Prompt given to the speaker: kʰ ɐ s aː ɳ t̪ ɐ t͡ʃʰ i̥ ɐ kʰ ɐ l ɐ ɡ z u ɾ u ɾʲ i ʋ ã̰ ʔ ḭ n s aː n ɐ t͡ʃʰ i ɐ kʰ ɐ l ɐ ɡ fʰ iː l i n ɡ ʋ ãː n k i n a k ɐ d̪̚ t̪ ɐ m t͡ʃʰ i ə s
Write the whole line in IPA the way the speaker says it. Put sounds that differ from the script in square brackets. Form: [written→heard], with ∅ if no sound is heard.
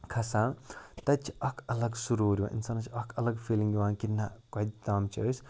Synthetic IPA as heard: kʰ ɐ s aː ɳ t̪ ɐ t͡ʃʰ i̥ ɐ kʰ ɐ l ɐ ɡ [z→s] u ɾ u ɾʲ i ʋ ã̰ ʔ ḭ n s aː n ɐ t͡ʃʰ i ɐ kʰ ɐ l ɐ ɡ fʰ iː l i [n→ŋ] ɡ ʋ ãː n k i n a k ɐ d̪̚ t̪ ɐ m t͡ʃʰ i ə s